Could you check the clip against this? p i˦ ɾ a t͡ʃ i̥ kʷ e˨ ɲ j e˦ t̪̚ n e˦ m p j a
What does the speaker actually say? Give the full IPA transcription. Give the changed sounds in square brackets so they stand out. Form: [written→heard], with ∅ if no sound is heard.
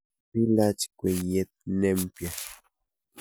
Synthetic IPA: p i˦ [ɾ→l] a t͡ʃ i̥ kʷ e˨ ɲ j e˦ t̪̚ n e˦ m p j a